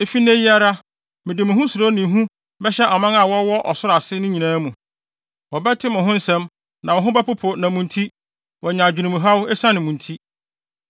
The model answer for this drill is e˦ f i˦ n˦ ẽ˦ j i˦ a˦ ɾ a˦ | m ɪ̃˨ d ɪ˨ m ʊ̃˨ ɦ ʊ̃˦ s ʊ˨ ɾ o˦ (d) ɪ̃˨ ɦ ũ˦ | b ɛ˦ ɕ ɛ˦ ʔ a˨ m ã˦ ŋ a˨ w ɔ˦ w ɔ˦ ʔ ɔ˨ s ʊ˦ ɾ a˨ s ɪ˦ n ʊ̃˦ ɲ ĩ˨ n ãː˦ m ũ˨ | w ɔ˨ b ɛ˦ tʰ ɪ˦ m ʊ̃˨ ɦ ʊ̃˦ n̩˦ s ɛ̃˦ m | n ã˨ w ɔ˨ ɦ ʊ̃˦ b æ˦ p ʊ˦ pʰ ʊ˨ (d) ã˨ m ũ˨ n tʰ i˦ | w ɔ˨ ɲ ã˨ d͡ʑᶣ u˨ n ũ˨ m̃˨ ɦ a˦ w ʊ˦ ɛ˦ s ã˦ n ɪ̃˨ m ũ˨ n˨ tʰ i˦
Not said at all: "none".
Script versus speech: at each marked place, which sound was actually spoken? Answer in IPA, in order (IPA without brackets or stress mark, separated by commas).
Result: n, n